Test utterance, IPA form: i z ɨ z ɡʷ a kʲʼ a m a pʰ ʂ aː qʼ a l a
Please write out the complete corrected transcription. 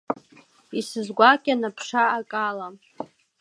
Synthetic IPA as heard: i s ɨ z ɡʷ a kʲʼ a n a pʰ ʂ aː kʼ a l a